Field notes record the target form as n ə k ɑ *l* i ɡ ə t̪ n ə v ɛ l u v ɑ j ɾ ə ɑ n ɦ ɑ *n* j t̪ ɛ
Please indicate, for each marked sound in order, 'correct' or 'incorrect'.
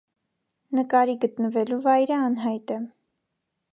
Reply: incorrect: ɾ, incorrect: none

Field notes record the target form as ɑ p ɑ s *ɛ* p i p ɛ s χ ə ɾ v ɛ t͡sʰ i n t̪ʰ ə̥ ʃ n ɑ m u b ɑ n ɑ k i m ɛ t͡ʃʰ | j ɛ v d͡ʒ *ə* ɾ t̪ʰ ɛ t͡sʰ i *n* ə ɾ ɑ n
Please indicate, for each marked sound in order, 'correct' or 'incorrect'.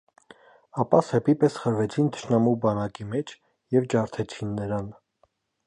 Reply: correct, incorrect: ɑ, incorrect: nː

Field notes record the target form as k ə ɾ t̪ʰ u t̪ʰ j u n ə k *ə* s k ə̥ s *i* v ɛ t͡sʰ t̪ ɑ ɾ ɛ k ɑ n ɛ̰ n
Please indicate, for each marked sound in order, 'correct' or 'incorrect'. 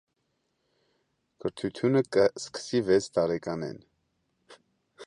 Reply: correct, correct

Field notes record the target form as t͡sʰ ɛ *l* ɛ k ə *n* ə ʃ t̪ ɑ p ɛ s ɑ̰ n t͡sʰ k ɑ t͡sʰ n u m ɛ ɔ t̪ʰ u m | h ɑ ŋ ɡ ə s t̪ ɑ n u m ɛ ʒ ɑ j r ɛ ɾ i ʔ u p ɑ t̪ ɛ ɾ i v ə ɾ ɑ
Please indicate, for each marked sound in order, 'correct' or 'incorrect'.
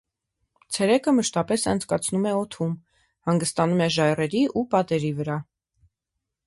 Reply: incorrect: ɾ, incorrect: m

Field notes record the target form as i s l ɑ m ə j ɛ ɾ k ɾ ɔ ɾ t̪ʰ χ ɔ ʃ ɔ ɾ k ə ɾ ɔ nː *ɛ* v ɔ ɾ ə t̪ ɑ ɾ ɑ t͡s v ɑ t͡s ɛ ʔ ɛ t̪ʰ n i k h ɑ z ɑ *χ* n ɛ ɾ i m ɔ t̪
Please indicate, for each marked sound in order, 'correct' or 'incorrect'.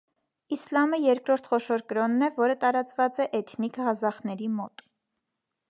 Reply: correct, correct

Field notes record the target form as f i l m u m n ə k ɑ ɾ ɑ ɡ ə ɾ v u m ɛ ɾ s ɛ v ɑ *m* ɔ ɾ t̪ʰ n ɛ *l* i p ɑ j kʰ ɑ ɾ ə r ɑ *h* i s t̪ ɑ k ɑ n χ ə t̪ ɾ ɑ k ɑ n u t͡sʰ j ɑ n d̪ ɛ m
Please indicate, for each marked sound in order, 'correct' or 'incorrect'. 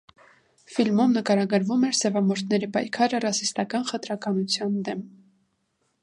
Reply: correct, incorrect: ɾ, incorrect: s

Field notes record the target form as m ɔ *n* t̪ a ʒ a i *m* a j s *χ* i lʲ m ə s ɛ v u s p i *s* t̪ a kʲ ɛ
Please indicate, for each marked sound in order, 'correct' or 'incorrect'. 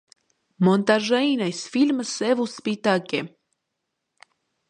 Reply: correct, incorrect: n, incorrect: f, incorrect: none

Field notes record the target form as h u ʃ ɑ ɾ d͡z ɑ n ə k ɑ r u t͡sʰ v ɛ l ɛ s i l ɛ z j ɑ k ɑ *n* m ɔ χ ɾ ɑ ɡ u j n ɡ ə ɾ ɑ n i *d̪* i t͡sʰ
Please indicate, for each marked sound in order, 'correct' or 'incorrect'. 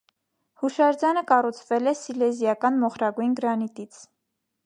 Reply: correct, incorrect: t̪

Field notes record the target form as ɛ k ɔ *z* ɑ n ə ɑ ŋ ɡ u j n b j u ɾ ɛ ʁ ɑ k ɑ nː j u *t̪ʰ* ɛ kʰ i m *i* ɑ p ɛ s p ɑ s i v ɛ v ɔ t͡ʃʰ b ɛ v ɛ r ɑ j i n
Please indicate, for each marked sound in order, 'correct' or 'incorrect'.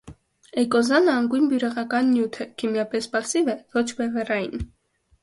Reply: correct, correct, incorrect: j

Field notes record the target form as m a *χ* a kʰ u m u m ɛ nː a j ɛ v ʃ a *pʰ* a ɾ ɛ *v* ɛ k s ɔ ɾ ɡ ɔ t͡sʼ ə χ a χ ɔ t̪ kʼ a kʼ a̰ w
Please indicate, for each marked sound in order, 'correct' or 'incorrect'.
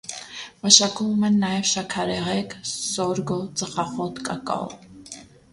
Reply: incorrect: ʃ, incorrect: kʰ, incorrect: ʁ

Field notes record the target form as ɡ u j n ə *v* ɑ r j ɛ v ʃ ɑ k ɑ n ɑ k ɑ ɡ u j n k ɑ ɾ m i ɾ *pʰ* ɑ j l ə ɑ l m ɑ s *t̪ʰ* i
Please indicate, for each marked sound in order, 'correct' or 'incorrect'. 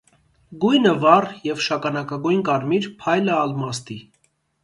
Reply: correct, correct, incorrect: t̪

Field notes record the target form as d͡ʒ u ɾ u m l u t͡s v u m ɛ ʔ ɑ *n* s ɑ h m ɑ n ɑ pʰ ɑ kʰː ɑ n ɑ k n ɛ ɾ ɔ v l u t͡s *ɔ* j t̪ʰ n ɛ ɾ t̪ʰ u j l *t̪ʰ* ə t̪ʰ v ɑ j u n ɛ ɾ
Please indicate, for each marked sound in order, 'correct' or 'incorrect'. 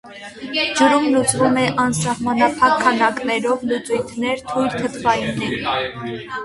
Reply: correct, incorrect: u, correct

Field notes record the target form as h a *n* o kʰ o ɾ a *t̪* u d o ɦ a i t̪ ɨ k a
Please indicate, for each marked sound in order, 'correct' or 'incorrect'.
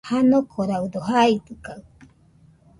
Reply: correct, incorrect: none

